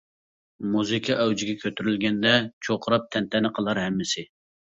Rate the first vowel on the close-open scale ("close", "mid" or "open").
close